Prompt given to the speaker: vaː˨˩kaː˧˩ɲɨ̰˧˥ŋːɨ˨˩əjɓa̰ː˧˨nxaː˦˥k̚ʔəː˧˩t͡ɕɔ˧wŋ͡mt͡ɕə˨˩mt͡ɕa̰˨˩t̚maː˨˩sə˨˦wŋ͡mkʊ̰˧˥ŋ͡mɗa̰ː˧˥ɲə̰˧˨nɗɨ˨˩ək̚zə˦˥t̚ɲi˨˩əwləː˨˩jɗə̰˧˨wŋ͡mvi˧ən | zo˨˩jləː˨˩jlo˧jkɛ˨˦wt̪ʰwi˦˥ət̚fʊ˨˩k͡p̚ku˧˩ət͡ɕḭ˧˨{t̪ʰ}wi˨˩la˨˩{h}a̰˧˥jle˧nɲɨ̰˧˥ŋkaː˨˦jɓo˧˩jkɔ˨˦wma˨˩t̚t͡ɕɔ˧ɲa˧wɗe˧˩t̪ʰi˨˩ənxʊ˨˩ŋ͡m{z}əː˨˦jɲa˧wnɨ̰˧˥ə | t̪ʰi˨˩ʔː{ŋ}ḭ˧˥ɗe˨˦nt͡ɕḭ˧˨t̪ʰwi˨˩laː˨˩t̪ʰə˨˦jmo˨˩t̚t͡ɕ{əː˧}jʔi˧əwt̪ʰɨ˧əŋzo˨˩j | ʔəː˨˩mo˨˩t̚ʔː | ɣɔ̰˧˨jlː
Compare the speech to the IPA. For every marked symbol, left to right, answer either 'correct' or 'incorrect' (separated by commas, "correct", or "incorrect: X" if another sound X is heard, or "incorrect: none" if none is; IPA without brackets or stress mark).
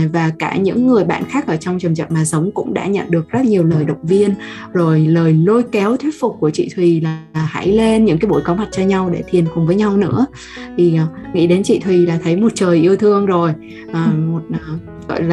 correct, correct, incorrect: v, correct, incorrect: əː˨˩